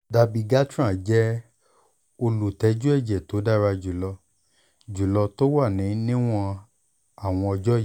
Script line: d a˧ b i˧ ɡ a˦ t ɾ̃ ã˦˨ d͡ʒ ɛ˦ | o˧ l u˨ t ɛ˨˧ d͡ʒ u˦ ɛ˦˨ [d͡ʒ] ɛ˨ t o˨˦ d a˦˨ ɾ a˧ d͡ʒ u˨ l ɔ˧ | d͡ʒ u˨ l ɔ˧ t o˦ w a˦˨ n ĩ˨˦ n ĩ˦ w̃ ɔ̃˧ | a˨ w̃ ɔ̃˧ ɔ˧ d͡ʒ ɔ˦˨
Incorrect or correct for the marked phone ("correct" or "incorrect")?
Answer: correct